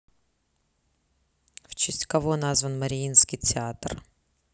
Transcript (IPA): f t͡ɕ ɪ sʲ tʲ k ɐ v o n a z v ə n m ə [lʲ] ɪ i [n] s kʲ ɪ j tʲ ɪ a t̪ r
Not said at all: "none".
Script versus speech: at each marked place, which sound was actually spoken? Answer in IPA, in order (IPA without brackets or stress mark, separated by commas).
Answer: ɾʲ, n